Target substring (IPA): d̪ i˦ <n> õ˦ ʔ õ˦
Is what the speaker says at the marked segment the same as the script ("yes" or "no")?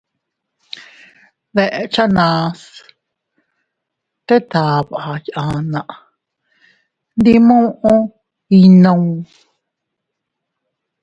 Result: no